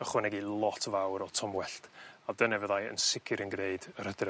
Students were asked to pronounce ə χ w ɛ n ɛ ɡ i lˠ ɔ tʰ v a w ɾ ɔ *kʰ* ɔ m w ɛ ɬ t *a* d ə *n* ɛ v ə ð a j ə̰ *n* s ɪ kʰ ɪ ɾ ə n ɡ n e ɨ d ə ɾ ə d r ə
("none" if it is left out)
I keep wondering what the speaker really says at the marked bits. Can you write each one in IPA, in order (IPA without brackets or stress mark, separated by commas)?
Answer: tʰ, a, n, n